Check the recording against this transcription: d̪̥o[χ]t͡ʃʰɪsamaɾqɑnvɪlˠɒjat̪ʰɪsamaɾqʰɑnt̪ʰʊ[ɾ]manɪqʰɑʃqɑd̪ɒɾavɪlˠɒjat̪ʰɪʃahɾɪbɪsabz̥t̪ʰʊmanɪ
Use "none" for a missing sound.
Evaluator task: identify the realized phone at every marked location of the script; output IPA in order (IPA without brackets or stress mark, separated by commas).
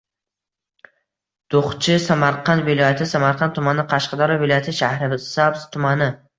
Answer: χ, none